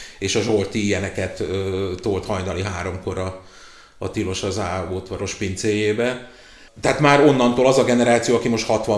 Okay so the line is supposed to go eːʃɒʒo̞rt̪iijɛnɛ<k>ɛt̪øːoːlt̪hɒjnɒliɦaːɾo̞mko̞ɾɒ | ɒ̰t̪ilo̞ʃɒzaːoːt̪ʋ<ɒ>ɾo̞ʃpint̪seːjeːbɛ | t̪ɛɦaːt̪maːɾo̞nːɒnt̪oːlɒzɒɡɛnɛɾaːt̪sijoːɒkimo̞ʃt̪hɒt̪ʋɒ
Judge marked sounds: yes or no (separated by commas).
yes, yes